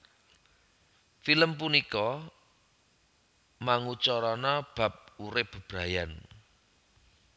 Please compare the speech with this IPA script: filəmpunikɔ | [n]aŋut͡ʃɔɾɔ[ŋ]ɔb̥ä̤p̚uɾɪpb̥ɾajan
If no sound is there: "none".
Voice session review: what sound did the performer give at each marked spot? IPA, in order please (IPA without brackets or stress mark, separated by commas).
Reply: m, n